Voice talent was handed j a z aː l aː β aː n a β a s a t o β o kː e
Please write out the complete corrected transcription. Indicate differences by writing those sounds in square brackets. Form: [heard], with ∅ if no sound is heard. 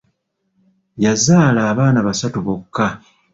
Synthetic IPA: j a z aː l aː β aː n a β a s a t [u] β o kː [a]